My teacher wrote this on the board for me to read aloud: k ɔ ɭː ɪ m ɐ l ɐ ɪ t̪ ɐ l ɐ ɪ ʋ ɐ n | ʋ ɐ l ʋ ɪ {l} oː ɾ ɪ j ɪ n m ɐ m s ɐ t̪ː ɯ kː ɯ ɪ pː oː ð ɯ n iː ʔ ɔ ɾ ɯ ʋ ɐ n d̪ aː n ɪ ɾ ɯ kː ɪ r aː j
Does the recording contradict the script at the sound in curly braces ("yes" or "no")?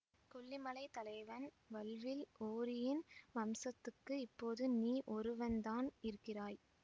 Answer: no